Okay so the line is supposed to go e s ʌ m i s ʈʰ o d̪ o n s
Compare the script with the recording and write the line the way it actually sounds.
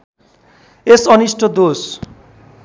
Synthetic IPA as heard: e s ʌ n i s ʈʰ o d̪ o s

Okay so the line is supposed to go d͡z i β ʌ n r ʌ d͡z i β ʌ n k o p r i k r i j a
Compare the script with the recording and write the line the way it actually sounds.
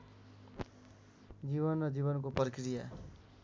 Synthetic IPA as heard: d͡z i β ʌ n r ʌ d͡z i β ʌ n k o p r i k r i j a

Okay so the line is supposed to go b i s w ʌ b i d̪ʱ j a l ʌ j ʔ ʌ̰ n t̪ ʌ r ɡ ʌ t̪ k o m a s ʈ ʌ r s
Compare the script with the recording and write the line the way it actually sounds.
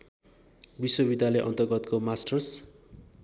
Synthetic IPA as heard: b i s w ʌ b i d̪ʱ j a l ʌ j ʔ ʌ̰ n t̪ ʌ r ɡ ʌ t̪ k o m a s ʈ ʌ r s

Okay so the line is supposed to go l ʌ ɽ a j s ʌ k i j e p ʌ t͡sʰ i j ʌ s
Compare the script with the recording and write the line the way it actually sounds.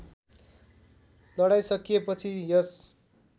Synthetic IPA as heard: l ʌ ɽ a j s ʌ k i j e p ʌ t͡sʰ i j ʌ s

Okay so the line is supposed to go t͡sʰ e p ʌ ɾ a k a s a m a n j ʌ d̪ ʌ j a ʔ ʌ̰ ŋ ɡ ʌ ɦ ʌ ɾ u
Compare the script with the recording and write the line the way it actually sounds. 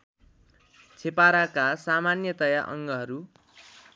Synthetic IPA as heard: t͡sʰ e p a ɾ a k a s a m a n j ʌ t̪ ʌ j a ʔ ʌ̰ ŋ ɡ ʌ ɦ ʌ ɾ u

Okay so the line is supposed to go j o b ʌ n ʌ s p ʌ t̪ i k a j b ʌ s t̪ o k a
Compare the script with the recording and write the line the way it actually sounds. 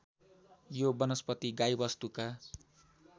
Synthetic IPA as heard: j o b ʌ n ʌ s p ʌ t̪ i ɡ a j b ʌ s t̪ u k a

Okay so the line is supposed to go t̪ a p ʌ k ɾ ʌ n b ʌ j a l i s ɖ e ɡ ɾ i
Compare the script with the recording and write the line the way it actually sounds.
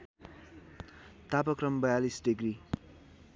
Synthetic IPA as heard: t̪ a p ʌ k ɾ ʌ m b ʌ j a l i s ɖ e ɡ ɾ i

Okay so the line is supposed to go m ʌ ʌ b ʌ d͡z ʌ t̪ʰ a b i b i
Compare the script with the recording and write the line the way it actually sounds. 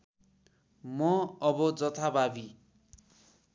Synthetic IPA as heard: m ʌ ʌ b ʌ d͡z ʌ t̪ʰ a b a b i

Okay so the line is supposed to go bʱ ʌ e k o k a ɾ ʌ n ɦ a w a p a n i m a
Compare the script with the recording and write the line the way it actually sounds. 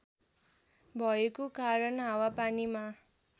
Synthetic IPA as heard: bʱ ʌ e k o k a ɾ ʌ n ɦ a w a p a n i m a

